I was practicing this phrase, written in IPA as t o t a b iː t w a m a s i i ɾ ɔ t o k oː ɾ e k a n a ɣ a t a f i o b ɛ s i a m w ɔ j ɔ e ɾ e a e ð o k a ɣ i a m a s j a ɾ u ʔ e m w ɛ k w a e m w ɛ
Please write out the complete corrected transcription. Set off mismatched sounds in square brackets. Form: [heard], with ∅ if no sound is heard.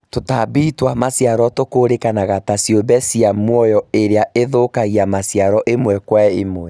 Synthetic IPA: t o t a b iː t w a m a s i [a] ɾ ɔ t o k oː ɾ e k a n a ɣ a t a [s] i o b ɛ s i a m w ɔ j ɔ e ɾ e a e ð o k a ɣ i a m a s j a ɾ [ɔ] ʔ e m w ɛ k w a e m w ɛ